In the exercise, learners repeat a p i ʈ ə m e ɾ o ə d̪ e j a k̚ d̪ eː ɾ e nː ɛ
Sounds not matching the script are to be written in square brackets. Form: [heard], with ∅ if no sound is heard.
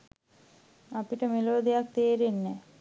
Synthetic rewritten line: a p i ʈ ə m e [l] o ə d̪ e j a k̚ [t̪] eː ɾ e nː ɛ